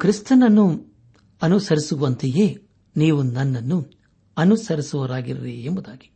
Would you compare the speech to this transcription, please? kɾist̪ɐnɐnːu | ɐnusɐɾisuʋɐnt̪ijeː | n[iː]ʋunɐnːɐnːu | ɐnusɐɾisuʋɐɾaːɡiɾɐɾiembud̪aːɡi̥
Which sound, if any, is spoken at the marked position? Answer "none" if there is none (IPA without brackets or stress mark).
iː